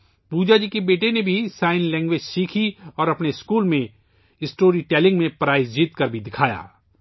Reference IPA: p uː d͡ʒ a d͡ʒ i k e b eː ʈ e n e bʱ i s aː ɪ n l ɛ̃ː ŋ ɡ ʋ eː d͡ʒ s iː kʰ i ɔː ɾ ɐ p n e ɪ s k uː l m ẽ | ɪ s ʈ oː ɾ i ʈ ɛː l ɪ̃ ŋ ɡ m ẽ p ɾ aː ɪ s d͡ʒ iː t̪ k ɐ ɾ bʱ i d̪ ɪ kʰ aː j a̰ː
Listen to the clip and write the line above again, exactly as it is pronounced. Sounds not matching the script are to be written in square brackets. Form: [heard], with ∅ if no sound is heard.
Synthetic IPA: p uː d͡ʒ a d͡ʒ i k e b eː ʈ e n e bʱ i s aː ɪ n l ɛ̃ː ŋ ɡ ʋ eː d͡ʒ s iː kʰ i ɔː ɾ ɐ p n e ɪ s k uː l m ẽ | ɪ s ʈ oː ɾ i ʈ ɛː l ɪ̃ ŋ ɡ m ẽ p ɾ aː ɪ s d͡ʒ iː t̪ k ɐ ɾ bʱ i d̪ ɪ kʰ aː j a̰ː

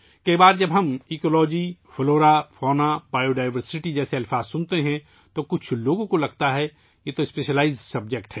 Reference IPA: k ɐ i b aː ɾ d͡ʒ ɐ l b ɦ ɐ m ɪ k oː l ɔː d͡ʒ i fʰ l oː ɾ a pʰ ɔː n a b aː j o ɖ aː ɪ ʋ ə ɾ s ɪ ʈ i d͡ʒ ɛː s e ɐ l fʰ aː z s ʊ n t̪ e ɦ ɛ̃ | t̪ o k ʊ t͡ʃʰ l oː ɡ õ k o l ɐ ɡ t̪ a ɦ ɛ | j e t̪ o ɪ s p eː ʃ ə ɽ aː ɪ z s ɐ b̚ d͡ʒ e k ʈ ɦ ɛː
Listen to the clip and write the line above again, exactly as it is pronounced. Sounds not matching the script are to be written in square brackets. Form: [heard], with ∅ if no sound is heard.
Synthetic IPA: k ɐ i b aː ɾ d͡ʒ ɐ [∅] b ɦ ɐ m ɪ k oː l ɔː d͡ʒ i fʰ l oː ɾ a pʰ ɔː n a b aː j o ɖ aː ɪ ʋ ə ɾ s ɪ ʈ i d͡ʒ ɛː s e ɐ l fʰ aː z s ʊ n t̪ e ɦ ɛ̃ | t̪ o k ʊ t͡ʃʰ l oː ɡ õ k o l ɐ ɡ t̪ a ɦ ɛ | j e t̪ o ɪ s p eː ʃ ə [l] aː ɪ z s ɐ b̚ d͡ʒ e k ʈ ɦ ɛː

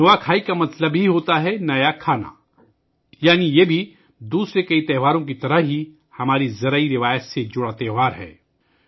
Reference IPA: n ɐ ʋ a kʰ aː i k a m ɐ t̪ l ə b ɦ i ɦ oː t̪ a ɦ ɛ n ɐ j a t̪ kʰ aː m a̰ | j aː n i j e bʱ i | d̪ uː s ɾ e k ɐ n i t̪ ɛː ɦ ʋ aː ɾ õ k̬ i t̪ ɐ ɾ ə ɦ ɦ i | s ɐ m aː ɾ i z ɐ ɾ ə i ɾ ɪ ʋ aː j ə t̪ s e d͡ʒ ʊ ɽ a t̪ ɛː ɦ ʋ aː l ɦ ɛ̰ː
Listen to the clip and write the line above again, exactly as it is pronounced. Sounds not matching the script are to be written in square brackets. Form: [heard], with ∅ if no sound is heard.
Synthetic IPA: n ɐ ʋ a kʰ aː i k a m ɐ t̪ l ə b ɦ i ɦ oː t̪ a ɦ ɛ n ɐ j a [∅] kʰ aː [n] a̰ | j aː n i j e bʱ i | d̪ uː s ɾ e k ɐ [∅] i t̪ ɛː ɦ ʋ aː ɾ õ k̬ i t̪ ɐ ɾ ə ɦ ɦ i | [h] ɐ m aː ɾ i z ɐ ɾ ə i ɾ ɪ ʋ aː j ə t̪ s e d͡ʒ ʊ ɽ a t̪ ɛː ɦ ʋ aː [ɾ] ɦ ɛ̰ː

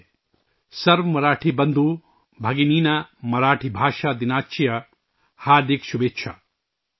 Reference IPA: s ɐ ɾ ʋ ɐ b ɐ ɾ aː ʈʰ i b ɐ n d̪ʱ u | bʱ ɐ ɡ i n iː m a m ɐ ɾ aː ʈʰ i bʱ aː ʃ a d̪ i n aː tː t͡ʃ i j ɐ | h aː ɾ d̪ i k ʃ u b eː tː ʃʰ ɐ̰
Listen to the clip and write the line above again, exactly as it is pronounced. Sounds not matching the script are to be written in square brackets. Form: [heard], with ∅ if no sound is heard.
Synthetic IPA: s ɐ ɾ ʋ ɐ [m] ɐ ɾ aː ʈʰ i b ɐ n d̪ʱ u | bʱ ɐ ɡ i n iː [n] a m ɐ ɾ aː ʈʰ i bʱ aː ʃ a d̪ i n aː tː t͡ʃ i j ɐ | h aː ɾ d̪ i k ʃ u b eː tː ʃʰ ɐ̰

